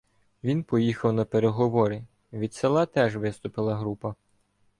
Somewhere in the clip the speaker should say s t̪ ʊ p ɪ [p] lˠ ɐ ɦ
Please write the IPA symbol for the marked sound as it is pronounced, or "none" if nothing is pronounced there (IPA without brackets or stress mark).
none